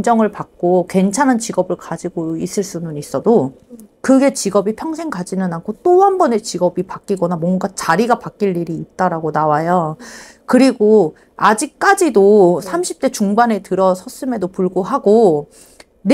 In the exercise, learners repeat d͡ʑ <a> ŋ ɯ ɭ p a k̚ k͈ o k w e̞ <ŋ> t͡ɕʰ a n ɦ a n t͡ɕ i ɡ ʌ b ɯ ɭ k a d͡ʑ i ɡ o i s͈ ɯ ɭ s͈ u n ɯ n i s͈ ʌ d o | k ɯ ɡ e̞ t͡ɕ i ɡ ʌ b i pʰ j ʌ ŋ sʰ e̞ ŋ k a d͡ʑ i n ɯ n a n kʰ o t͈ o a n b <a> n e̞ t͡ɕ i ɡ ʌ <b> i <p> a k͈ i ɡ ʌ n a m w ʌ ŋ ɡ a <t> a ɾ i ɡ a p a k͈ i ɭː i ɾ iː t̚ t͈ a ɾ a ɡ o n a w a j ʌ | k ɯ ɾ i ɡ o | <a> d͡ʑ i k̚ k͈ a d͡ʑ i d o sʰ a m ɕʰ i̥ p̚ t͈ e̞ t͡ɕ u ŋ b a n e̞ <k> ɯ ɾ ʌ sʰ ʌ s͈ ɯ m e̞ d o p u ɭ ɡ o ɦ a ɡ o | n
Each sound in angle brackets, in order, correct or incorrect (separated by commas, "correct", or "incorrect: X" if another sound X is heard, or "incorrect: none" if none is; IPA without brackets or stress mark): incorrect: ʌ, incorrect: n, incorrect: ʌ, correct, correct, incorrect: t͡ɕ, correct, incorrect: t